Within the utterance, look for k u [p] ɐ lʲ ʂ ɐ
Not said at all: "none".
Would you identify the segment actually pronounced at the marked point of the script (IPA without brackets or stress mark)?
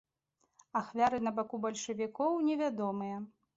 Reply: b